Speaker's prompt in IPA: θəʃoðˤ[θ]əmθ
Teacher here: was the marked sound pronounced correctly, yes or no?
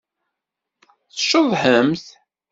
no